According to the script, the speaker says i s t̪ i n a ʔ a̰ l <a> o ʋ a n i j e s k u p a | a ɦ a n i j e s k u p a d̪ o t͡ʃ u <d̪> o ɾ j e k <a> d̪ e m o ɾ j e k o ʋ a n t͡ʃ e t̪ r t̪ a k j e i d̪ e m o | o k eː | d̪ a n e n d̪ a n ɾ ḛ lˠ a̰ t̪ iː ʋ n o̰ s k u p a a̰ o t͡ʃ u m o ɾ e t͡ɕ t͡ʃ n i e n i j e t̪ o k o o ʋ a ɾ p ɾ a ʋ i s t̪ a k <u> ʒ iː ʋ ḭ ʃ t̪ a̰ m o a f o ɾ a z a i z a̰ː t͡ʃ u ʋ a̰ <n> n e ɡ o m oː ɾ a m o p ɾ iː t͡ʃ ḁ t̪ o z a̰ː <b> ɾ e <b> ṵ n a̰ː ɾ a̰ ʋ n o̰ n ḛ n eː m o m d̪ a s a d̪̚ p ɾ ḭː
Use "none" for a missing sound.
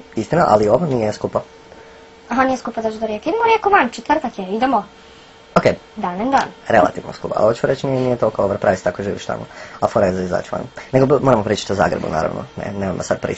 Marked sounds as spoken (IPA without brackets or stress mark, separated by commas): i, d̪, i, o, n, ɡ, b